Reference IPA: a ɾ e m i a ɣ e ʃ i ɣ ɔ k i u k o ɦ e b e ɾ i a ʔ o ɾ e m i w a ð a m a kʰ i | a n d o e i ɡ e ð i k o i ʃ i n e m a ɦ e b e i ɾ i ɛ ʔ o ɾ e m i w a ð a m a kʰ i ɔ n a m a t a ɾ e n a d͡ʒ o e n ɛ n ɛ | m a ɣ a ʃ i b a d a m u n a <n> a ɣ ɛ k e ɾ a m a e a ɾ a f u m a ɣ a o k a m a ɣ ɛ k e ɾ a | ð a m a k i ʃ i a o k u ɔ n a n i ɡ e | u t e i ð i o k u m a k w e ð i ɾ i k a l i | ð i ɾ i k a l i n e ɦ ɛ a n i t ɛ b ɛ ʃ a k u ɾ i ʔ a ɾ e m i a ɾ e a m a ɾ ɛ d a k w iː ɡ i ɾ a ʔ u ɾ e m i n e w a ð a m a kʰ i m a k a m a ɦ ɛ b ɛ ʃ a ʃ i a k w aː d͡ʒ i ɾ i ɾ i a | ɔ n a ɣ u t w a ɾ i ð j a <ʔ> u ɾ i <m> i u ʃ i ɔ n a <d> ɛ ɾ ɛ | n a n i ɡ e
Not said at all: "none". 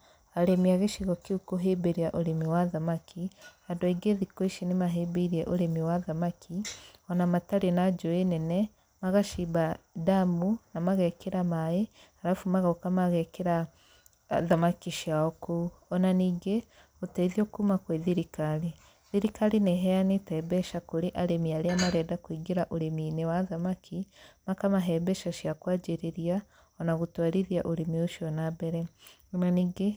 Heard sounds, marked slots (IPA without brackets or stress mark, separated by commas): m, ʔ, m, b